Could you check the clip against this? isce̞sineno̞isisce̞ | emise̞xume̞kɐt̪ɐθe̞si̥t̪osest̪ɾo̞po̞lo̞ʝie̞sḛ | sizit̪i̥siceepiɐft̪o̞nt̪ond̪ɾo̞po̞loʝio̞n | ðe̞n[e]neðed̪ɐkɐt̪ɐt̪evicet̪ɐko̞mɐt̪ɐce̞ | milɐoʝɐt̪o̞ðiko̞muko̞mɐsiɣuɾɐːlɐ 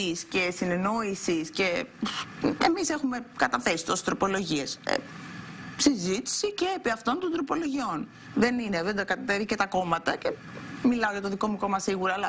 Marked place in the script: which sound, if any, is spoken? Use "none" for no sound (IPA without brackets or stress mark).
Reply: i